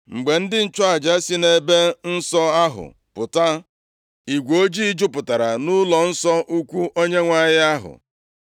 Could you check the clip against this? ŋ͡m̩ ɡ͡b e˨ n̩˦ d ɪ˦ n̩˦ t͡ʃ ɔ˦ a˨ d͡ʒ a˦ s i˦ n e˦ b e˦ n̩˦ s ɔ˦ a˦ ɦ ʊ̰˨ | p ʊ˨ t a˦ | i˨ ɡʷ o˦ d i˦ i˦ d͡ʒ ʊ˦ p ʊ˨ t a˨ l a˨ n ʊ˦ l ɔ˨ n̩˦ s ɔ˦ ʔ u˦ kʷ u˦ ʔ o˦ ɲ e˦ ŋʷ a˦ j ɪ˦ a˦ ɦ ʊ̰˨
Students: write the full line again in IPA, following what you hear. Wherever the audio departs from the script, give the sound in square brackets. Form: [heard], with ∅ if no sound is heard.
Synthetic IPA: ŋ͡m̩ ɡ͡b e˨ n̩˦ d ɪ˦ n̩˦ t͡ʃ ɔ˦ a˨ d͡ʒ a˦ s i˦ n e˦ b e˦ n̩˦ s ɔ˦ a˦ ɦ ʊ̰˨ | p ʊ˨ t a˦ | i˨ ɡʷ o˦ [d͡ʒ] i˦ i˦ d͡ʒ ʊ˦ p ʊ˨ t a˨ [ɾ] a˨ n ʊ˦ l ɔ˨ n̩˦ s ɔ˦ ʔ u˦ kʷ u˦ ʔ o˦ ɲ e˦ ŋʷ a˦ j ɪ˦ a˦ ɦ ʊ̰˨